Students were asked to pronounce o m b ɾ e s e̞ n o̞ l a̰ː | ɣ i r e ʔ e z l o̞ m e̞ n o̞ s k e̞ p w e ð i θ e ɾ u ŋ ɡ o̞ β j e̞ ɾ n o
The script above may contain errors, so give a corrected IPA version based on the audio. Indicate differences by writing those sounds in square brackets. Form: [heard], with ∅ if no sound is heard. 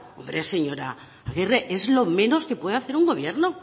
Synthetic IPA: o m b ɾ e s e̞ [ɲ] o̞ [ɾ] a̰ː | ɣ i r e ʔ e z l o̞ m e̞ n o̞ s k e̞ p w e ð [a] θ e ɾ u ŋ ɡ o̞ β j e̞ ɾ n o